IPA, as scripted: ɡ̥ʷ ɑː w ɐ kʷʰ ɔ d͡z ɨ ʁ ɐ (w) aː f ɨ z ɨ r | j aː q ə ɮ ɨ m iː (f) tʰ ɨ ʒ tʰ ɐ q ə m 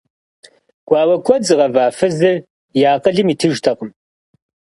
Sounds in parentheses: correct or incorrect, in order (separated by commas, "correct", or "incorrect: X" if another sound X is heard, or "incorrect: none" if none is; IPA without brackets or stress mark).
incorrect: v, incorrect: none